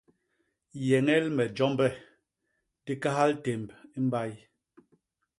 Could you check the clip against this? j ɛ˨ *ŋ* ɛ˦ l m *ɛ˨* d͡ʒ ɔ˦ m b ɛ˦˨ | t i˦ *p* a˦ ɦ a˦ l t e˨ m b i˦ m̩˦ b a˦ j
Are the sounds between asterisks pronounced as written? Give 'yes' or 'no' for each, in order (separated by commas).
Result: yes, yes, no